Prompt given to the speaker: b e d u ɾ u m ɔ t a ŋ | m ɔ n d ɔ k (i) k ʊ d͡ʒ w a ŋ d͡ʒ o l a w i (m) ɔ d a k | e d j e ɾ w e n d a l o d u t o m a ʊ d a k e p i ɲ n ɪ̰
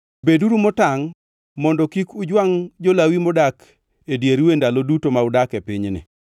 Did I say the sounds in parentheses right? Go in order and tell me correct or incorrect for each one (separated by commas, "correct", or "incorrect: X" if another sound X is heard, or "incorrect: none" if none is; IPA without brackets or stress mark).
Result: correct, correct